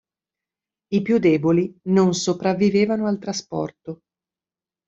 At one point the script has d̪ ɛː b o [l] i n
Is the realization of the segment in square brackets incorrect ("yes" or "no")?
no